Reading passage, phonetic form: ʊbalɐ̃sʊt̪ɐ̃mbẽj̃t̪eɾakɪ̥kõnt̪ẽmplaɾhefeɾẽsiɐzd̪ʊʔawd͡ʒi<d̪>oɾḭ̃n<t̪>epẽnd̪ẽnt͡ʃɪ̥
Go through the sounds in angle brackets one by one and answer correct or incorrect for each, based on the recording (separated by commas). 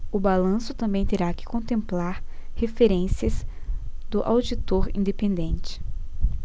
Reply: incorrect, incorrect